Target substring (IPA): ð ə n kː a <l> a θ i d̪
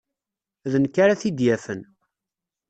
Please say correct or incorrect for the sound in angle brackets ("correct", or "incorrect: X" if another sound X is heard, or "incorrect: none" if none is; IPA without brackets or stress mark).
incorrect: ɾ